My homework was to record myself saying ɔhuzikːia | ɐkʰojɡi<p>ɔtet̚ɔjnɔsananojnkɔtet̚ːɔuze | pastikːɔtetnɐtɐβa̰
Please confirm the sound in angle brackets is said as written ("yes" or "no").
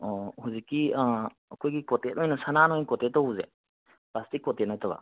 no